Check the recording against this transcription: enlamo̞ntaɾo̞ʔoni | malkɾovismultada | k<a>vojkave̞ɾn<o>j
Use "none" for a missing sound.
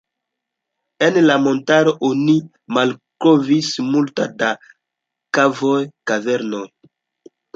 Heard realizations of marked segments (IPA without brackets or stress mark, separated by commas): a, o